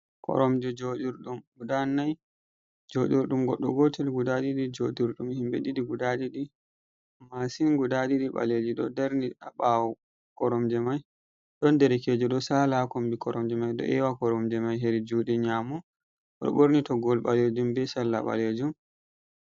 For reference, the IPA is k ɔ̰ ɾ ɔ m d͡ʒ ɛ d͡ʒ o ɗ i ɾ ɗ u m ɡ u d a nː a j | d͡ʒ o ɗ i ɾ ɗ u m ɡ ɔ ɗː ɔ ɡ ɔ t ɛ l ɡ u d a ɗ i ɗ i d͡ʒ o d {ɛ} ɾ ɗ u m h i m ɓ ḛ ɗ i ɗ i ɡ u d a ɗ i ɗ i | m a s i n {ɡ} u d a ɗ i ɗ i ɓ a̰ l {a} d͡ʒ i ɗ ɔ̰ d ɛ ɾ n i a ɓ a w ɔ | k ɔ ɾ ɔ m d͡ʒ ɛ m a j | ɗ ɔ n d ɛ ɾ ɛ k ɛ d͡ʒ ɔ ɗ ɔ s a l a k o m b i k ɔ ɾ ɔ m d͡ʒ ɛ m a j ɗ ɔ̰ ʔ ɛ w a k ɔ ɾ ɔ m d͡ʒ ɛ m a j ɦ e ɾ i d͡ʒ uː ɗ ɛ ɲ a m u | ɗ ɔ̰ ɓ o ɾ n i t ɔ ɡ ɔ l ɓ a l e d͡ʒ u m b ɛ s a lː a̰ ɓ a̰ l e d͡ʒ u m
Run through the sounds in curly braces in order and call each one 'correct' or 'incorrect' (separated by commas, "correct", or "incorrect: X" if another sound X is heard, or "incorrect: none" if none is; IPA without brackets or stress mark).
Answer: incorrect: i, correct, incorrect: e